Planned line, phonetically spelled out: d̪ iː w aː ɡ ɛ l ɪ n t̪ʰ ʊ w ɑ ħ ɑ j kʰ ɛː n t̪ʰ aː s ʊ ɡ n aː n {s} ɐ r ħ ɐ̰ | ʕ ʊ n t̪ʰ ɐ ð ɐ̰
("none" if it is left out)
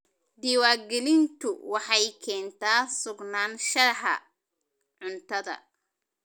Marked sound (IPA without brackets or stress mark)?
ʃ